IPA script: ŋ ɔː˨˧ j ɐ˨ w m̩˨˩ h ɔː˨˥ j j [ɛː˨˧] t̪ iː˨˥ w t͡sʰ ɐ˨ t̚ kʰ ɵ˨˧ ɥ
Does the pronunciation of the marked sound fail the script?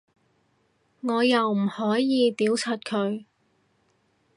yes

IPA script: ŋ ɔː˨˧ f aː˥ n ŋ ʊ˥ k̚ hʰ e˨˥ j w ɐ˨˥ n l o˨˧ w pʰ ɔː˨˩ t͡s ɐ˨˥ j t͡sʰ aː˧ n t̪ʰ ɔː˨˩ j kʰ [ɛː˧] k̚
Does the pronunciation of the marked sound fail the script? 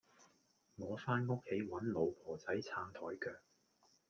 yes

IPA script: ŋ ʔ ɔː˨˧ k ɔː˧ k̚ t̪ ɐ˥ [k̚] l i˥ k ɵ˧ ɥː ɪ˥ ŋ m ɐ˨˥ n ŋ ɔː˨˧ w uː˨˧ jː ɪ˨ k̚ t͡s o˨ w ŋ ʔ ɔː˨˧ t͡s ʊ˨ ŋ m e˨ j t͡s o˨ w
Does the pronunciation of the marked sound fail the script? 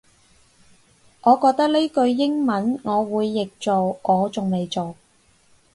no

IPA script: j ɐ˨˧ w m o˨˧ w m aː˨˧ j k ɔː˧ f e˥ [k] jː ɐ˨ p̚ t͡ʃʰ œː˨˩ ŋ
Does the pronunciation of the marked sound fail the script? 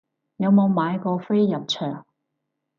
yes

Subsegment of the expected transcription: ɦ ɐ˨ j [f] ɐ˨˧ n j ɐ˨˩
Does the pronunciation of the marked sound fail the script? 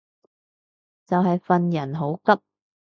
no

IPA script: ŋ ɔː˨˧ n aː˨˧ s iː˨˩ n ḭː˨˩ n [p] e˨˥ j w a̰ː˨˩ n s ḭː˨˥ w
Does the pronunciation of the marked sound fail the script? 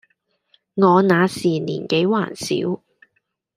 yes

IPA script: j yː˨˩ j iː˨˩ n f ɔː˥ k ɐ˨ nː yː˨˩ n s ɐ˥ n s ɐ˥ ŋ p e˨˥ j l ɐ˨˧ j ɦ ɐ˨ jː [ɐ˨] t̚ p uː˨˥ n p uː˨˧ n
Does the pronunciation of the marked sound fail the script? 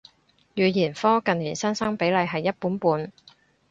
yes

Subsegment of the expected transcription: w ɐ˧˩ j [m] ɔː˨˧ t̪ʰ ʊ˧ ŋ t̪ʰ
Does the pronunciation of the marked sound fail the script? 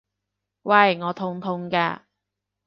yes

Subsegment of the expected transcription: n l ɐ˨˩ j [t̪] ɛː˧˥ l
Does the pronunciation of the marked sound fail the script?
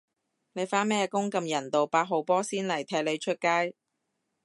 yes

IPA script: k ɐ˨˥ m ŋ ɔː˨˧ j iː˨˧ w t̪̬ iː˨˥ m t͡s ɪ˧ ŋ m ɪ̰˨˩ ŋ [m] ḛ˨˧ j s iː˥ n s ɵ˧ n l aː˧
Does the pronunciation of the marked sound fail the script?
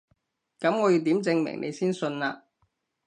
yes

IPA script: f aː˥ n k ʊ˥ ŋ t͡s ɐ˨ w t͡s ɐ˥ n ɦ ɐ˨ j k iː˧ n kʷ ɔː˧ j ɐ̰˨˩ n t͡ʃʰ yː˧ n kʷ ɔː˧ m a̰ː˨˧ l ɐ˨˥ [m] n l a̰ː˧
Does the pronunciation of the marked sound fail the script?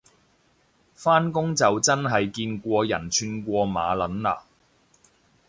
yes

